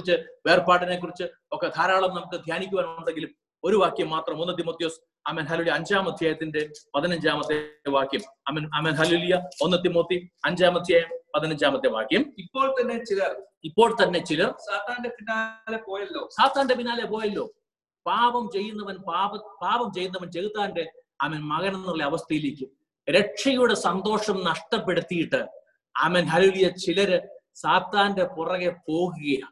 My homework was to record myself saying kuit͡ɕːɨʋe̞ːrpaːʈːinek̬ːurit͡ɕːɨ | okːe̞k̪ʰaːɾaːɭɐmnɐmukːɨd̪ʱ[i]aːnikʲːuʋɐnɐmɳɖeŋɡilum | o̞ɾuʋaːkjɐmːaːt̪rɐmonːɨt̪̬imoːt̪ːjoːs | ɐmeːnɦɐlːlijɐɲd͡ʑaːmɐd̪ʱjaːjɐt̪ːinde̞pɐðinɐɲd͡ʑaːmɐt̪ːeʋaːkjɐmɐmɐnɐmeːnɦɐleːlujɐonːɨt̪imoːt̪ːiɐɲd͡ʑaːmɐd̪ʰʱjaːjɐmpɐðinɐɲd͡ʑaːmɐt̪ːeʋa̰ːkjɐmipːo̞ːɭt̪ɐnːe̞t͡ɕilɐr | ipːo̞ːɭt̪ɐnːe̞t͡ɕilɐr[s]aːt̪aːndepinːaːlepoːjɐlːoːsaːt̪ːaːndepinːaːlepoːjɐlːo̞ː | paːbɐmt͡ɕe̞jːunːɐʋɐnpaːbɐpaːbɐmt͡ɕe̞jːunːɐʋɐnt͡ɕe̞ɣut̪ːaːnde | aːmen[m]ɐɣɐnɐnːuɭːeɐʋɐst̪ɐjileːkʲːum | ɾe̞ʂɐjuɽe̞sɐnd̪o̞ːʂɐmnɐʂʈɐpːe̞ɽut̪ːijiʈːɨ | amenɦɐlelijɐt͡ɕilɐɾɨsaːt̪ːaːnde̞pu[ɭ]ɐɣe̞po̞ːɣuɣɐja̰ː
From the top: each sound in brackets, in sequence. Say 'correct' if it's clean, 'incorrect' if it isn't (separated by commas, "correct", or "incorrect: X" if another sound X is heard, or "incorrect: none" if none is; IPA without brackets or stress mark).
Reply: incorrect: j, correct, correct, incorrect: r